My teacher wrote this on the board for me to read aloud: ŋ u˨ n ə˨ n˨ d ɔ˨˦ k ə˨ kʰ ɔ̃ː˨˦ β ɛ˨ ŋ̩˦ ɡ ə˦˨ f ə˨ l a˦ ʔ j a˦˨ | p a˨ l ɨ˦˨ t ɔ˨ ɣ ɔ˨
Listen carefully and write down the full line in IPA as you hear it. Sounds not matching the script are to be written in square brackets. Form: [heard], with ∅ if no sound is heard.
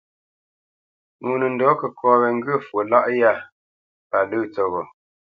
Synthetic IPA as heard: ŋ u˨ n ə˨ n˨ d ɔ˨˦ k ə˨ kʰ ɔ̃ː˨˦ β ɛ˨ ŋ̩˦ ɡ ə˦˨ f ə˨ l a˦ ʔ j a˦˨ | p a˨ l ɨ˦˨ [t͡s] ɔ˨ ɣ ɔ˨

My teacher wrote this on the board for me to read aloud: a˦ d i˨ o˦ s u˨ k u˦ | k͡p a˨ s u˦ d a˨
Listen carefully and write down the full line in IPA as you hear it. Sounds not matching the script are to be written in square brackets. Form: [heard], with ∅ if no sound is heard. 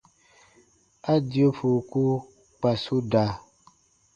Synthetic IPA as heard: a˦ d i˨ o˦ [f] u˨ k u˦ | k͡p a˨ s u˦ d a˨

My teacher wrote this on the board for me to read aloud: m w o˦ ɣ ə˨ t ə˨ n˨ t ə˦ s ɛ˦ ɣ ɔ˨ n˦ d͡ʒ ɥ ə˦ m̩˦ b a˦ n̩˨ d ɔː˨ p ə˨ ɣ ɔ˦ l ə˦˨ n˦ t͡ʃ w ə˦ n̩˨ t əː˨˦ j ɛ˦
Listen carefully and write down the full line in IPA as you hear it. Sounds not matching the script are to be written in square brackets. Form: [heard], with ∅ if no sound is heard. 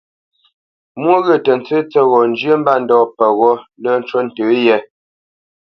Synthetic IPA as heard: m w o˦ ɣ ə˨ t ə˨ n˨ [t͡s] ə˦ [t͡s] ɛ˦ ɣ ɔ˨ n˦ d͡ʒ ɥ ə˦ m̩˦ b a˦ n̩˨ d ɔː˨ p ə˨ ɣ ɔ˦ l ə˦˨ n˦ t͡ʃ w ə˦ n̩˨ t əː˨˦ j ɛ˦

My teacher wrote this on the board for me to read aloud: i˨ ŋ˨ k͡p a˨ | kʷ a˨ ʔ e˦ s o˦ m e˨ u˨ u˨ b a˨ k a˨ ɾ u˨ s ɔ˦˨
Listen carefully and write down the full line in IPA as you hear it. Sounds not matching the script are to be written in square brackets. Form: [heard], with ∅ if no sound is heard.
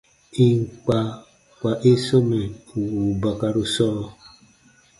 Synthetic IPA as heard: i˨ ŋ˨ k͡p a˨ | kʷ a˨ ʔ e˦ s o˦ m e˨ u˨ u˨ b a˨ k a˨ ɾ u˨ s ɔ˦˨

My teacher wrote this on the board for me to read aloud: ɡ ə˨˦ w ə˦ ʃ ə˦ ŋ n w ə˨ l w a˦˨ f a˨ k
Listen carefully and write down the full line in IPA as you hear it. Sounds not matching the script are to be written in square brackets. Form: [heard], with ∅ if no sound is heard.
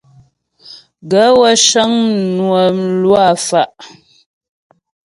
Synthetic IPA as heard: ɡ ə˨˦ w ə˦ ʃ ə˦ ŋ n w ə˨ l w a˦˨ f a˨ [ʔ]

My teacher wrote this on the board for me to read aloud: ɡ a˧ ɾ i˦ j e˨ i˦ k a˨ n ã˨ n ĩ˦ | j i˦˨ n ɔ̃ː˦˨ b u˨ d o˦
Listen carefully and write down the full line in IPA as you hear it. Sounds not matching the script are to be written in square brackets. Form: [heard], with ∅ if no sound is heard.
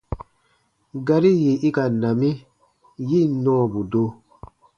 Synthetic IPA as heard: ɡ a˧ ɾ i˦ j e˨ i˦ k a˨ n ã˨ [m] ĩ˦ | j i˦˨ n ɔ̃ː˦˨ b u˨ d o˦

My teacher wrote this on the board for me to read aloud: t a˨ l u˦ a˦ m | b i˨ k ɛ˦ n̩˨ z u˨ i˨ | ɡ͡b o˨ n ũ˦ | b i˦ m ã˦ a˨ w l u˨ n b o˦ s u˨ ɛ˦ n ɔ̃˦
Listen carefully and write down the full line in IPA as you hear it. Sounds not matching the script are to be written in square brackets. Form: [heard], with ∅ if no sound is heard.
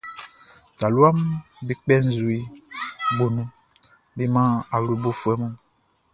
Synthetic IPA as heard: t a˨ l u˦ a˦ m | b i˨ [k͡p] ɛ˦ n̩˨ z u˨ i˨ | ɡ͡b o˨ n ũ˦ | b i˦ m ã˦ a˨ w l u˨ [∅] b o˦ [f] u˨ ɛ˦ [m] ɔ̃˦

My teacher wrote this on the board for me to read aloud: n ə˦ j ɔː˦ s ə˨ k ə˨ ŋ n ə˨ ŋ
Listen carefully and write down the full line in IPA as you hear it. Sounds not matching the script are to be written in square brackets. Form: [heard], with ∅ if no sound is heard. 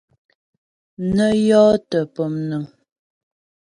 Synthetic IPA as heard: n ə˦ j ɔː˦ [t] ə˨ [p] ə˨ [m] n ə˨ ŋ

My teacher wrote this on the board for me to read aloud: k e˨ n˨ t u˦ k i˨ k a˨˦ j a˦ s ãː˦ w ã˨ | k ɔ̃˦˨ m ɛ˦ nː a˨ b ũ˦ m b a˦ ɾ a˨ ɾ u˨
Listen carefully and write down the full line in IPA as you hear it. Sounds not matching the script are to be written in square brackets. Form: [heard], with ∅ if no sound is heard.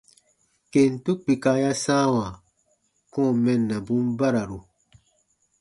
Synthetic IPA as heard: k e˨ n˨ t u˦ [k͡p] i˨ k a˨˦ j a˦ s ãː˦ w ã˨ | k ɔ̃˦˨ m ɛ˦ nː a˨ b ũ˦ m b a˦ ɾ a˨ ɾ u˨

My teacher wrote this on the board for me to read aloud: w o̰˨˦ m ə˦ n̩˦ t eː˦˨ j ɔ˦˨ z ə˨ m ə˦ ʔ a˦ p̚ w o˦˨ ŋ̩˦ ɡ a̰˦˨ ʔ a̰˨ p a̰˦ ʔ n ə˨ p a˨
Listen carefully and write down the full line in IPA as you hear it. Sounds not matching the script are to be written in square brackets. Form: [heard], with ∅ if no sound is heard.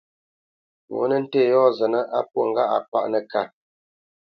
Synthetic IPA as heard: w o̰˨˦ [n] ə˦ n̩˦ t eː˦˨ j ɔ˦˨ z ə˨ [n] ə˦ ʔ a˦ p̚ w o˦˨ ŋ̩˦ ɡ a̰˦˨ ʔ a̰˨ p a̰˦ ʔ n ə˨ [k] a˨

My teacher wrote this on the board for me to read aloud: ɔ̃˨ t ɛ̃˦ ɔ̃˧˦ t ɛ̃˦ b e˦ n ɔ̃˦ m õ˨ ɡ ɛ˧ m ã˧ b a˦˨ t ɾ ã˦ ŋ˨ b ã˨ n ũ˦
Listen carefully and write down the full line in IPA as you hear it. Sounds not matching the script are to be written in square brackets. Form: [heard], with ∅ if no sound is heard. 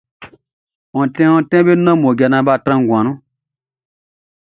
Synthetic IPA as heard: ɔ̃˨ t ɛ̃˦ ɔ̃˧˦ t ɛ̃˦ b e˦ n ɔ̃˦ m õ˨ ɡ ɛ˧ [n] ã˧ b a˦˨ t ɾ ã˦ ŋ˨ [ɡ] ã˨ n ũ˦

